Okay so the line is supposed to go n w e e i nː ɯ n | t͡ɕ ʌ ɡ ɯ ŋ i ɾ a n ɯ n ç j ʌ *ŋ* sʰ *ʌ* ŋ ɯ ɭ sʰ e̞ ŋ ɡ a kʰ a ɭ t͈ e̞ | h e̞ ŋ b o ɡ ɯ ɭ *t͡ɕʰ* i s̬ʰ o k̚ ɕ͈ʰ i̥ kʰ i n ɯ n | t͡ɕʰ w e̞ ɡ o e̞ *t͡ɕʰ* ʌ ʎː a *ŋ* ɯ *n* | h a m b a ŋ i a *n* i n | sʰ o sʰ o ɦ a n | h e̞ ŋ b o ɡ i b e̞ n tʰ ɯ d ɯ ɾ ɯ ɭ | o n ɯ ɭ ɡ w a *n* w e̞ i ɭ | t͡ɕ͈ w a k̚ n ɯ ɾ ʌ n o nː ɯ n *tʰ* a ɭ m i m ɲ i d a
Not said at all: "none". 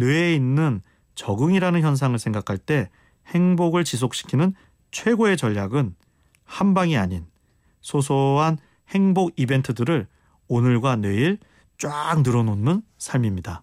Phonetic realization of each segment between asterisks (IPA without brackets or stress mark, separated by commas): n, a, t͡ɕ, t͡ɕ, ɡ, n, ɲ, n, sʰ